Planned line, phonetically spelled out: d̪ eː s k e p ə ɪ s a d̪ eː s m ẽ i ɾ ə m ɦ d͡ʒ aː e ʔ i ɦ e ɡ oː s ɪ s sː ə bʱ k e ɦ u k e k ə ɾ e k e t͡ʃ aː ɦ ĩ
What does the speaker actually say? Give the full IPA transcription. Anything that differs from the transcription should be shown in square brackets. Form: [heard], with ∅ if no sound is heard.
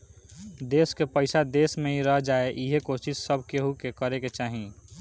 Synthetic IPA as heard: d̪ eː s k e p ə ɪ s a d̪ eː s m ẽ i ɾ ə [∅] ɦ d͡ʒ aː e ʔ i ɦ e [k] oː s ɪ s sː ə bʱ k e ɦ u k e k ə ɾ e k e t͡ʃ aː ɦ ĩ